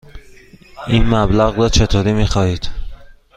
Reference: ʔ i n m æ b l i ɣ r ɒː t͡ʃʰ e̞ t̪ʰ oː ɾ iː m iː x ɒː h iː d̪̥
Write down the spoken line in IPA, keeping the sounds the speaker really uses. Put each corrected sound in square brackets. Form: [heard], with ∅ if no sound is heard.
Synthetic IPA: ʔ i n m æ b l [æ] ɣ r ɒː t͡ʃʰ e̞ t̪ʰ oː ɾ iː m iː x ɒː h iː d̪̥